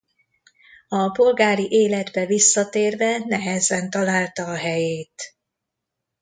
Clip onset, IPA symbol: ɒ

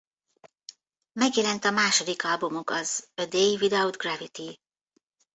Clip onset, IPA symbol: m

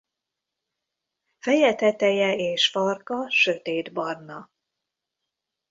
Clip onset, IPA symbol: f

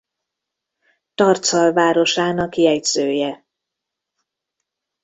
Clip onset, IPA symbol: t̪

